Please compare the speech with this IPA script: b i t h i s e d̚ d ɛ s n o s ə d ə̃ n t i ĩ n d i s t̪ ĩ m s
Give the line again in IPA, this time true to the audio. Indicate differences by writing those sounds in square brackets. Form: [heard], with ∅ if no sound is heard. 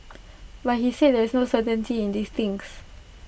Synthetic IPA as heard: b [a] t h i s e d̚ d ɛ s n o s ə [t] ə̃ n t i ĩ n d i s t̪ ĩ [ŋ] s